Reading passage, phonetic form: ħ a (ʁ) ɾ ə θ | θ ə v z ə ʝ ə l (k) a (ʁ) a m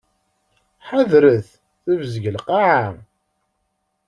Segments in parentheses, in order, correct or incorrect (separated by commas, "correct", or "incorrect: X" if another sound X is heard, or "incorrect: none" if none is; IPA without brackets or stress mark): incorrect: ð, incorrect: q, incorrect: ʕ